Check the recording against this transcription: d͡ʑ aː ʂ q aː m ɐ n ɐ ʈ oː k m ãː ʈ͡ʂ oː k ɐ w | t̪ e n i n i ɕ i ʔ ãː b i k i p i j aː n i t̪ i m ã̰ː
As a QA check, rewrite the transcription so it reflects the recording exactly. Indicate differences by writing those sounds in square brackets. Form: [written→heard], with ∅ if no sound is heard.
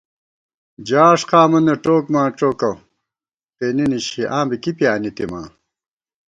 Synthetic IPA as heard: d͡ʑ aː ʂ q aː m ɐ n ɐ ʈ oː k m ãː ʈ͡ʂ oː k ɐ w | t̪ e n i n i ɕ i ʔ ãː b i k i p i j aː n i t̪ i m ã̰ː